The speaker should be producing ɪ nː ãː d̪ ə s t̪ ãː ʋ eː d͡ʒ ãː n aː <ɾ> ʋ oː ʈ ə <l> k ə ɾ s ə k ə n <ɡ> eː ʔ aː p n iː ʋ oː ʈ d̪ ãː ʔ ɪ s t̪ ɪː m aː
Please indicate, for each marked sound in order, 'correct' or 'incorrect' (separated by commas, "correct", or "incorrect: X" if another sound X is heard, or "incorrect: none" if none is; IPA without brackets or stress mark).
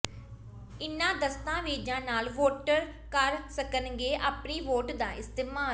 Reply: incorrect: l, incorrect: ɾ, correct